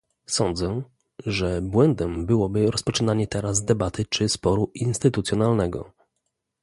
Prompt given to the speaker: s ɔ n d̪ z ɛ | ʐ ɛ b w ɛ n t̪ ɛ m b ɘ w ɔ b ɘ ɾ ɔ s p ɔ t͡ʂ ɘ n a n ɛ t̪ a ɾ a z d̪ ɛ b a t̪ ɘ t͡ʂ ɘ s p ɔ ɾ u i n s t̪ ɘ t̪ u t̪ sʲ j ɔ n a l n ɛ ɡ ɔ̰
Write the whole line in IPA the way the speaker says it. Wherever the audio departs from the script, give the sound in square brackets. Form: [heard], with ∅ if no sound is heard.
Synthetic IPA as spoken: s ɔ n d̪ z ɛ | ʐ ɛ b w ɛ n [d̪] ɛ m b ɘ w ɔ b ɘ ɾ ɔ s p ɔ t͡ʂ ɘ n a [ɲ] ɛ t̪ [ɛ] ɾ a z d̪ ɛ b a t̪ ɘ t͡ʂ ɘ s p ɔ ɾ u i n s t̪ ɘ t̪ u t̪ sʲ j ɔ n a l n ɛ ɡ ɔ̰